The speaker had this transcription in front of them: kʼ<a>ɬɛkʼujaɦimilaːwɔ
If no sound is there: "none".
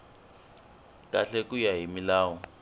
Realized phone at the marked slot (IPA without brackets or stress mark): a